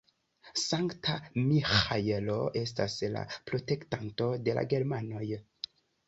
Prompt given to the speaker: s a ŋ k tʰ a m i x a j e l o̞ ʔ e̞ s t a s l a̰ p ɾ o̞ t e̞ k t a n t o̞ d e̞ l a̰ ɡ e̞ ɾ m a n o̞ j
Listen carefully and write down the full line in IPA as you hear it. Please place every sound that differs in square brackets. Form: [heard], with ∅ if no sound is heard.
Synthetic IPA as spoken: s a ŋ k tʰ a m i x a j e l o̞ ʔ e̞ s t a s l a̰ p ɾ o̞ t e̞ k t a n t o̞ d e̞ l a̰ ɡ e̞ ɾ m a n o̞ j